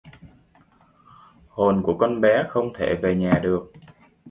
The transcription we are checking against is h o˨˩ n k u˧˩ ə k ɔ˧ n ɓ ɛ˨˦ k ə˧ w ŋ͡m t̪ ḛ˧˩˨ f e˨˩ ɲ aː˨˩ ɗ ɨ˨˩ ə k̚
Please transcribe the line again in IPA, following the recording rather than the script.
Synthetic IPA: h o˨˩ n k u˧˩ ə k ɔ˧ n ɓ ɛ˨˦ x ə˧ w ŋ͡m t̪ʰ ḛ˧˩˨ v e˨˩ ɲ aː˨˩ ɗ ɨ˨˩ ə k̚